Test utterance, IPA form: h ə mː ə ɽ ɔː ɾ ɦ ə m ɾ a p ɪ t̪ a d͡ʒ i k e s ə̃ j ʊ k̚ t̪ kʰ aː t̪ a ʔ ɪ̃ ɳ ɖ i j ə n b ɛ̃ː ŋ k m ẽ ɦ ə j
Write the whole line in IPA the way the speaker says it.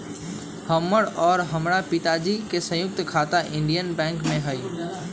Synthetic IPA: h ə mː ə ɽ ɔː ɾ ɦ ə m ɾ a p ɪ t̪ a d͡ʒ i k e s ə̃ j ʊ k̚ t̪ kʰ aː t̪ a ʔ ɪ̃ ɳ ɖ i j ə n b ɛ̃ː ŋ k m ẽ ɦ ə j